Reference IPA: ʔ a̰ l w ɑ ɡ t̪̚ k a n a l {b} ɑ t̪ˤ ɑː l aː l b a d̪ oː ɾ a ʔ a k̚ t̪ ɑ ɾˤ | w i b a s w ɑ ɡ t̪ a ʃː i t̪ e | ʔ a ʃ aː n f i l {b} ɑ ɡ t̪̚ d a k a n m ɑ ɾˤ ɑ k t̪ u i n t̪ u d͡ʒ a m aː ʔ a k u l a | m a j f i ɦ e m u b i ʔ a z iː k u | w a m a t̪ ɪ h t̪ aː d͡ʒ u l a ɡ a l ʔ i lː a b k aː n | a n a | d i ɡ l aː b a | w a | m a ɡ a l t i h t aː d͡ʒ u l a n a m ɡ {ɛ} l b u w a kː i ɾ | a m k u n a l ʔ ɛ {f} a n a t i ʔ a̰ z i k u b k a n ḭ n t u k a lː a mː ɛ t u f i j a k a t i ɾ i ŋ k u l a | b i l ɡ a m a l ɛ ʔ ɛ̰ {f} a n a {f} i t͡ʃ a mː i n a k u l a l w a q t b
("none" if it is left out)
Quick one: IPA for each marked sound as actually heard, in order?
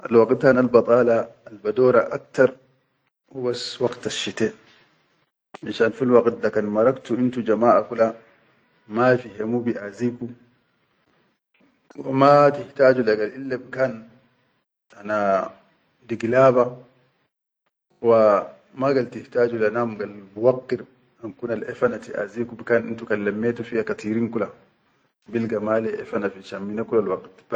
b, w, a, f, f, f

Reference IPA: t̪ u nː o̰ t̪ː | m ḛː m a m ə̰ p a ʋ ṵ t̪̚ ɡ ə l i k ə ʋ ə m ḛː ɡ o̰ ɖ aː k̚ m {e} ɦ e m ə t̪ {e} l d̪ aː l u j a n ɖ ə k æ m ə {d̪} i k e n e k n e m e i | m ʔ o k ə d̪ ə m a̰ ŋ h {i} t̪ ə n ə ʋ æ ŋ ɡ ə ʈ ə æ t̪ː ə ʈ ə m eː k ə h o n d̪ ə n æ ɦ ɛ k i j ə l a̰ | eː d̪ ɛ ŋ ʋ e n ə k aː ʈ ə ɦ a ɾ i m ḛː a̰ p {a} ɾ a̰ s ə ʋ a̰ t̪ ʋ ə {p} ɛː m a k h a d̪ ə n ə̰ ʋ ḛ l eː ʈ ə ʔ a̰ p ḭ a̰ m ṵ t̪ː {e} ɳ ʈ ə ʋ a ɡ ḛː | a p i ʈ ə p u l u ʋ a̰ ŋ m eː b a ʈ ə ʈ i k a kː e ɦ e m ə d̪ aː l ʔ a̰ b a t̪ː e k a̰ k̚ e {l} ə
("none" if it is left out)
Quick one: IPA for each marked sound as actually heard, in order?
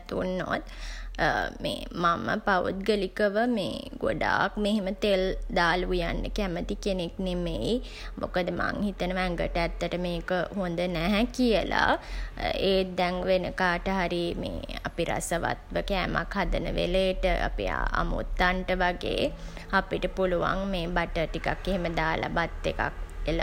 e, e, t̪, i, i, k, a, l

